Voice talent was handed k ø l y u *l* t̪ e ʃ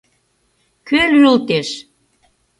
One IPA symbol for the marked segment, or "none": l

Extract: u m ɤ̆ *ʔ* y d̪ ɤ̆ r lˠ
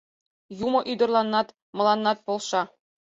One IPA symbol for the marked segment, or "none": ʔ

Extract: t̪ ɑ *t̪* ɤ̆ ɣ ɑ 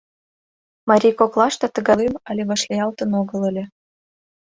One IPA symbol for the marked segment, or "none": t̪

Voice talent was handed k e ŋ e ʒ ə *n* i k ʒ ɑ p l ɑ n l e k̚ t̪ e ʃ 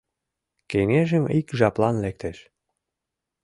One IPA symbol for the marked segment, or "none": m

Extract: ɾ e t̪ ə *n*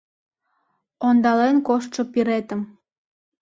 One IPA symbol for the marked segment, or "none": m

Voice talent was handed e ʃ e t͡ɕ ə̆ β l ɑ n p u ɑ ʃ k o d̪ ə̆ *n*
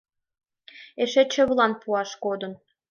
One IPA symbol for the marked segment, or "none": n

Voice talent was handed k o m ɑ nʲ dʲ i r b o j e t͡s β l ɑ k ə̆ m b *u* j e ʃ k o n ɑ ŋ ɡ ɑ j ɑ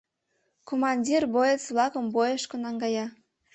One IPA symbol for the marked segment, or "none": o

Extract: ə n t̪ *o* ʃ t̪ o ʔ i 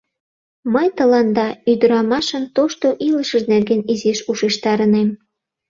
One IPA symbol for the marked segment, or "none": o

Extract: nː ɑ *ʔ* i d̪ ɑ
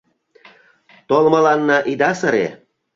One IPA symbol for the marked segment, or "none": ʔ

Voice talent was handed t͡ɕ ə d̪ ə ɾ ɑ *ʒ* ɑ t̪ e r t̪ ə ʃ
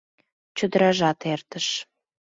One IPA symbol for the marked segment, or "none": ʒ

